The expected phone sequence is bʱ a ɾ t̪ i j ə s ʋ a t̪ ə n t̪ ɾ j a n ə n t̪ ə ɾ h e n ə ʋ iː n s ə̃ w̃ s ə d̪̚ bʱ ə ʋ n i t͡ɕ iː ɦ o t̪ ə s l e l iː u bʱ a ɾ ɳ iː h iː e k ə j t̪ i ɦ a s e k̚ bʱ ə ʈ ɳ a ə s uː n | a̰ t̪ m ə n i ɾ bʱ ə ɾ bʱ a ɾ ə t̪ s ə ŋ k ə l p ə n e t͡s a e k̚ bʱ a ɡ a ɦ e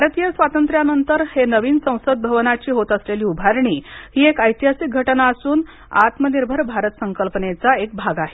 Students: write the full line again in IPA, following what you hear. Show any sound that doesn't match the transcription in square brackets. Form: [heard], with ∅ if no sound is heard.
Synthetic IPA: bʱ a ɾ t̪ i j ə s ʋ a t̪ ə n t̪ ɾ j a n ə n t̪ ə ɾ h e n ə ʋ iː n s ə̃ w̃ s ə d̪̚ bʱ ə ʋ n [a] t͡ɕ iː ɦ o t̪ ə s l e l iː u bʱ a ɾ ɳ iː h iː e k ə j t̪ i ɦ a s [i] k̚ [ɡʱ] ə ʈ [n] a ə s uː n | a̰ t̪ m ə n i ɾ bʱ ə ɾ bʱ a ɾ ə t̪ s ə ŋ k ə l p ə n e t͡s a e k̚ bʱ a ɡ a ɦ e